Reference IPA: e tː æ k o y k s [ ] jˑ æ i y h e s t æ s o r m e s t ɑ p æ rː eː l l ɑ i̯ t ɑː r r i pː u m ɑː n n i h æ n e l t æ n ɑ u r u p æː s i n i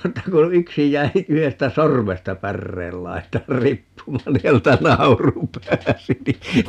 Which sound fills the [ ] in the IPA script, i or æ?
i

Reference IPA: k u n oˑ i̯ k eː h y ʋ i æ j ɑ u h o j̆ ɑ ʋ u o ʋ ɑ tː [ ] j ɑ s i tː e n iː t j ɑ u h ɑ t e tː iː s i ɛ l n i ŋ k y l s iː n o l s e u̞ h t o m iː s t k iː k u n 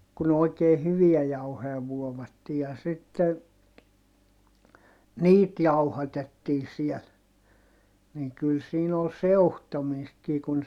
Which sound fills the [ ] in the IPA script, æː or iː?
iː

